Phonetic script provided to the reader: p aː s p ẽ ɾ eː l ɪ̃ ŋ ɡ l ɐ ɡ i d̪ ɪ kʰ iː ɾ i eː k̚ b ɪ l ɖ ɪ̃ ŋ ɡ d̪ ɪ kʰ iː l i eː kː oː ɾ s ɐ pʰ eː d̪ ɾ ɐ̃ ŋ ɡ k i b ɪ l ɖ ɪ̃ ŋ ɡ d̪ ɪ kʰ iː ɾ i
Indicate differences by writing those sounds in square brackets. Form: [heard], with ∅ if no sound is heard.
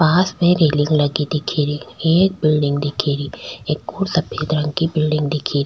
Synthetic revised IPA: p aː s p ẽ ɾ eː l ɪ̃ ŋ ɡ l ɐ ɡ i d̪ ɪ kʰ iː ɾ i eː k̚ b ɪ l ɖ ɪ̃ ŋ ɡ d̪ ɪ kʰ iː [ɾ] i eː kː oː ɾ s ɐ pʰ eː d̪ ɾ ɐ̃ ŋ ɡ k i b ɪ l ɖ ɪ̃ ŋ ɡ d̪ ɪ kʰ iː ɾ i